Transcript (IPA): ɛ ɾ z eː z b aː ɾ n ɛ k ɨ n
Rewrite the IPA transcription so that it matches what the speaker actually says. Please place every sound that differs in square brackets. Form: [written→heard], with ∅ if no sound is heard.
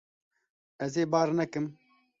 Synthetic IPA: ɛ [ɾ→∅] z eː [z→∅] b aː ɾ n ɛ k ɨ [n→m]